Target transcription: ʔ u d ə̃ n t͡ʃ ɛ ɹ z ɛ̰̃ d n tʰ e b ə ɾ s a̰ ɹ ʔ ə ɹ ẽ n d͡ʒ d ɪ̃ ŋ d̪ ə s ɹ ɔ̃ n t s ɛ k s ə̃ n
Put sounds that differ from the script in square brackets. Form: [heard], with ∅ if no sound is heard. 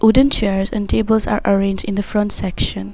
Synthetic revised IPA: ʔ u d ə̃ n t͡ʃ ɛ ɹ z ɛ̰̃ [∅] n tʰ e b ə [l] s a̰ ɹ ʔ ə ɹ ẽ n d͡ʒ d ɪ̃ [n] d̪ ə [f] ɹ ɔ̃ n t s ɛ k [ʃ] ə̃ n